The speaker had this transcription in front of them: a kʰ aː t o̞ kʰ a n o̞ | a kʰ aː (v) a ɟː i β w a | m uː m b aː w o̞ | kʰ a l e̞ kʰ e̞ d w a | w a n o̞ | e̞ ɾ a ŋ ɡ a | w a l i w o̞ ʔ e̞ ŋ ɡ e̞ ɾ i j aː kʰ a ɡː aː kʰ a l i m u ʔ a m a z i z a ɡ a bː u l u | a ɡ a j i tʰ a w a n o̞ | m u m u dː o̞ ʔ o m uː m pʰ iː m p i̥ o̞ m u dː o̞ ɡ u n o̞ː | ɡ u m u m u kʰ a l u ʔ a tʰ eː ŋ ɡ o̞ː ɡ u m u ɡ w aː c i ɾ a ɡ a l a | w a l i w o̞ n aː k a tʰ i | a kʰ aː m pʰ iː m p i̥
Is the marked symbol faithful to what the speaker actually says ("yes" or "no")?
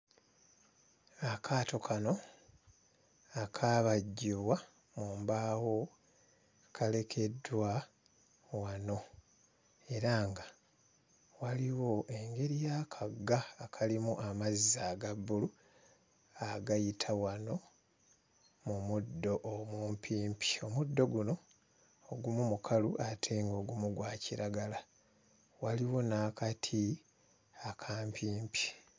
no